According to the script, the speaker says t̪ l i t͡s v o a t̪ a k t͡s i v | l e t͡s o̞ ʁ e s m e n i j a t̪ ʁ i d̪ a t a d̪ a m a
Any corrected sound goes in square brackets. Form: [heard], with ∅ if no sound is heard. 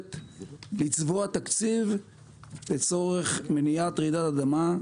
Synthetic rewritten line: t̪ l i t͡s v o a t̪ a k t͡s i v | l e t͡s o̞ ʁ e [χ] m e n i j a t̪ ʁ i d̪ a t a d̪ a m a